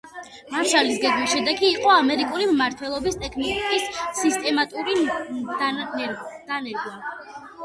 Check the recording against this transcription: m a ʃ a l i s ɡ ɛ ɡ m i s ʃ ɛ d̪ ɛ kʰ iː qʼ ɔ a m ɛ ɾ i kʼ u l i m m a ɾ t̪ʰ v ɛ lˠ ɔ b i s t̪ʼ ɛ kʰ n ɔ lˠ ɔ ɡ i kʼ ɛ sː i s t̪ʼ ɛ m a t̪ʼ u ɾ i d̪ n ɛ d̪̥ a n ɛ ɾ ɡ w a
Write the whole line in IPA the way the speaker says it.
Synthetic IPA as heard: m a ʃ a l i s ɡ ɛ ɡ m i s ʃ ɛ d̪ ɛ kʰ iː qʼ ɔ a m ɛ ɾ i kʼ u l i m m a ɾ t̪ʰ w ɛ lˠ ɔ b i s t̪ʼ ɛ kʰ n ɔ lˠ ɔ ɡ i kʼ i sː i s t̪ʼ ɛ m a t̪ʼ u ɾ i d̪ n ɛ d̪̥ a n ɛ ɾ ɡ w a